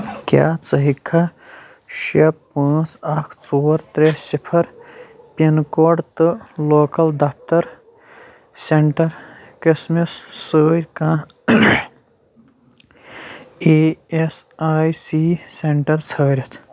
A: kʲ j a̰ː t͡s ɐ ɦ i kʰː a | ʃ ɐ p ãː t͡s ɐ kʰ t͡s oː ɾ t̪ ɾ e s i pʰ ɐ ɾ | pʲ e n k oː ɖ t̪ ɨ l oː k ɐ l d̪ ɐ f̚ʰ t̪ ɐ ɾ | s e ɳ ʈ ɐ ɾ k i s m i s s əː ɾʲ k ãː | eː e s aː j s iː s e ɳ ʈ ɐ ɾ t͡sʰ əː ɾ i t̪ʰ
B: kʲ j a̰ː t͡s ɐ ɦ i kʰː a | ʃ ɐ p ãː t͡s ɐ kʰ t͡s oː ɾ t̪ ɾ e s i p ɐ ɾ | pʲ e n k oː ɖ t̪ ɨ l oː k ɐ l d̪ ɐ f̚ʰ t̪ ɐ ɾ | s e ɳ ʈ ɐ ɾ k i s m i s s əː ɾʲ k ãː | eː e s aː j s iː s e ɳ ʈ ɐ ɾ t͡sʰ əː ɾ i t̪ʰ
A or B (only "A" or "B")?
A